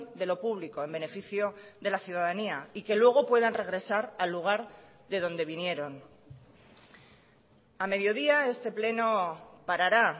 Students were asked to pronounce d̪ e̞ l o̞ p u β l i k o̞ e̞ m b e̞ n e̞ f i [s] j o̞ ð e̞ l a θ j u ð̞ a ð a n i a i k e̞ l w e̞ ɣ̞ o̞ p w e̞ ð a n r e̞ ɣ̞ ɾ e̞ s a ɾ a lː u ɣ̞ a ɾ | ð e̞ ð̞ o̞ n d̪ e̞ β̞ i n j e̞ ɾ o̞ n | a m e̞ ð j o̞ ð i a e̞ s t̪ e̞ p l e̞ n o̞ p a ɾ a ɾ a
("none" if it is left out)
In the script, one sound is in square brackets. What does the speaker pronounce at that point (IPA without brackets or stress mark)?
θ